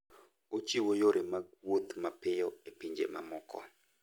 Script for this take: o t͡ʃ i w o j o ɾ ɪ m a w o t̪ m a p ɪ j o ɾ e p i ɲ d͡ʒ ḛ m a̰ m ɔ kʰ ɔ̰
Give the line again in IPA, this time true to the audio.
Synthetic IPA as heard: o t͡ʃ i w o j o ɾ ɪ m a w o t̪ m a p ɪ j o e p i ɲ d͡ʒ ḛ m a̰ m ɔ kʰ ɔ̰